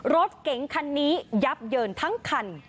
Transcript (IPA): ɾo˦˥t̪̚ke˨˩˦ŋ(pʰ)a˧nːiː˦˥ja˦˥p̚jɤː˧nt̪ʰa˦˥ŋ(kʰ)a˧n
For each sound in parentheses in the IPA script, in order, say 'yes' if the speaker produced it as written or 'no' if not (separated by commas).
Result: no, yes